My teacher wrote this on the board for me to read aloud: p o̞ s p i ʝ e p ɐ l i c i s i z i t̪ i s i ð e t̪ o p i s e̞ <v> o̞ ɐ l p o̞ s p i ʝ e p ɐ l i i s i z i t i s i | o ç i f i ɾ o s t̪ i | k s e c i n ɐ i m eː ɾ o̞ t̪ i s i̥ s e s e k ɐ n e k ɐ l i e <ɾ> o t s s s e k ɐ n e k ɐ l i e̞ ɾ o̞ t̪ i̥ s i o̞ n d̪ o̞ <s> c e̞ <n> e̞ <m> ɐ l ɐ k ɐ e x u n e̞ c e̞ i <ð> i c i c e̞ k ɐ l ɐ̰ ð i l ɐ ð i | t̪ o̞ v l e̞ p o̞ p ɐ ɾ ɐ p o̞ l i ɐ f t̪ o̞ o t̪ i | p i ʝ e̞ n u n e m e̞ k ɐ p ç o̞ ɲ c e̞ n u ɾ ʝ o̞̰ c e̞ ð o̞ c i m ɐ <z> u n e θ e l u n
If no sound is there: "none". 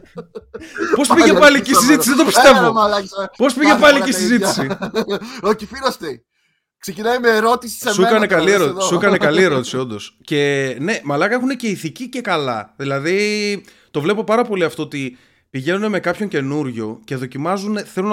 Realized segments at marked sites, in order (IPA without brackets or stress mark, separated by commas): v, ɾ, s, n, m, θ, z